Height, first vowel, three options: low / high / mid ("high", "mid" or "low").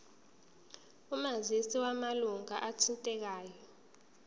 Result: high